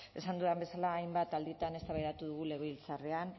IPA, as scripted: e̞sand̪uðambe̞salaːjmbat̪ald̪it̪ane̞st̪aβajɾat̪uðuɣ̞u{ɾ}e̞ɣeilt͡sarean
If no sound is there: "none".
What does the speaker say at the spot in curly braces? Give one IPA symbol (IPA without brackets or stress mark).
l